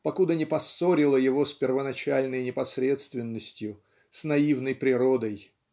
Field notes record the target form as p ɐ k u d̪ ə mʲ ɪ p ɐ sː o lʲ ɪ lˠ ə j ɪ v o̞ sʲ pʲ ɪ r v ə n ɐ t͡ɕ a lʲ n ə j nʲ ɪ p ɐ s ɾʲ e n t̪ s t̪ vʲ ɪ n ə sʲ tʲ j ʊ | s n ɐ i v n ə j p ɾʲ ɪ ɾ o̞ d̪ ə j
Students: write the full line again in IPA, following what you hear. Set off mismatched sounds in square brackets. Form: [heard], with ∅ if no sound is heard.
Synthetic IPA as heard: p ɐ k u d̪ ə [nʲ] ɪ p ɐ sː o [ɾʲ] ɪ lˠ ə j ɪ v o̞ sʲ pʲ ɪ r v ə n ɐ t͡ɕ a lʲ n ə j nʲ ɪ p ɐ s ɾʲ e [∅] t̪ s t̪ vʲ ɪ [nː] ə sʲ tʲ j ʊ | s n ɐ i v n ə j p ɾʲ ɪ ɾ o̞ d̪ ə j